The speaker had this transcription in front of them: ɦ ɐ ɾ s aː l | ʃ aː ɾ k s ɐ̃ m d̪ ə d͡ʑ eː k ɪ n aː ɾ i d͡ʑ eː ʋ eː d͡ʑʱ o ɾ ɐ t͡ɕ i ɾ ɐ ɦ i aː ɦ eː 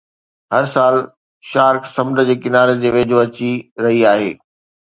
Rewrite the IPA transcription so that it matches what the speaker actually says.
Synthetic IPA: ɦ ɐ ɾ s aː l | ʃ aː ɾ k s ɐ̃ m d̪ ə d͡ʑ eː k ɪ n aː ɾ e d͡ʑ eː ʋ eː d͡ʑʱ o ɐ t͡ɕ i ɾ ɐ ɦ i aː ɦ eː

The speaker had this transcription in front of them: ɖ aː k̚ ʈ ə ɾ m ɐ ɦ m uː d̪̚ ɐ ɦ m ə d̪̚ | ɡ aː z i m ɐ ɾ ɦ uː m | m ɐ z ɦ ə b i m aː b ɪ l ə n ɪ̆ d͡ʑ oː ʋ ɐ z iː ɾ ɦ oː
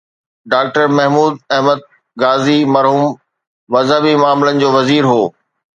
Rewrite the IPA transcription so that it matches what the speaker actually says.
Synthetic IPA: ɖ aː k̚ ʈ ə ɾ m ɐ ɦ m uː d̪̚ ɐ ɦ m ə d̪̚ | ɡ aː z i m ɐ ɾ ɦ uː m | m ɐ z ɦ ə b i m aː m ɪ l ə n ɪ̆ d͡ʑ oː ʋ ɐ z iː ɾ ɦ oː

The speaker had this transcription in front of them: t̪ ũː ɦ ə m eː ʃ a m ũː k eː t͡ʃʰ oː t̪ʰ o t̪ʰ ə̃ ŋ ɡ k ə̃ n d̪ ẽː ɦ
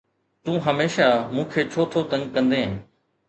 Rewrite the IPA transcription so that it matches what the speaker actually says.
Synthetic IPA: t̪ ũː ɦ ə m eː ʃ a m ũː kʰ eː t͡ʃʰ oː t̪ʰ o t̪ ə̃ ŋ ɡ k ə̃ n d̪ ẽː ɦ

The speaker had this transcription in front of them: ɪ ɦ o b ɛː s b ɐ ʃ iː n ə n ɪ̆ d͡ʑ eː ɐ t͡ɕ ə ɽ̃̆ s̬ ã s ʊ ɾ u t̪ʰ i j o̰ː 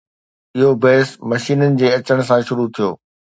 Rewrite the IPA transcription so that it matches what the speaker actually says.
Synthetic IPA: ɪ ɦ o b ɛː s m ɐ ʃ iː n ə n ɪ̆ d͡ʑ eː ɐ t͡ɕ ə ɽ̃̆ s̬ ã ʃ ʊ ɾ u t̪ʰ i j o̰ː

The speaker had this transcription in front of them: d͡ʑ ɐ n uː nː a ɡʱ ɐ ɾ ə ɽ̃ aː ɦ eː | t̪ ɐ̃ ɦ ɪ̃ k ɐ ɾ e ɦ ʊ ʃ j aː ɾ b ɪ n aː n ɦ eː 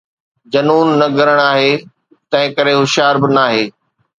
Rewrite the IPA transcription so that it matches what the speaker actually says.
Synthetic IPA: d͡ʑ ɐ n uː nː ɐ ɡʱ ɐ ɾ ə ɽ̃ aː ɦ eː | t̪ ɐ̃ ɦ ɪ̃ k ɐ ɾ e ɦ ʊ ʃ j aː ɾ b ɪ n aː ɦ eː

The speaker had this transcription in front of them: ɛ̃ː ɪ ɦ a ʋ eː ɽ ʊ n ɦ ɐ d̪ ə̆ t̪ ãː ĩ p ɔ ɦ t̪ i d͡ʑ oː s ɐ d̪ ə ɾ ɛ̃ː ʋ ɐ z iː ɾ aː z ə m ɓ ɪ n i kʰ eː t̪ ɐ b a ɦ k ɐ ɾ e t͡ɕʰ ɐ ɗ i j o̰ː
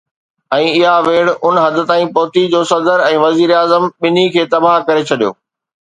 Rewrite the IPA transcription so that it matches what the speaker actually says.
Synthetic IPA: ɛ̃ː ɪ ɦ a ʋ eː ɽ ʊ n ɦ ɐ d̪ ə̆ t̪ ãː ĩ p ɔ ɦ t̪ i d͡ʑ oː s ɐ d̪ ə ɾ ɛ̃ː ʋ ɐ z iː ɾ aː z ə m ɓ ɪ n i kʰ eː t̪ ɐ b a ɦ k ɐ ɾ e t͡ɕʰ ɐ ɗ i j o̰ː

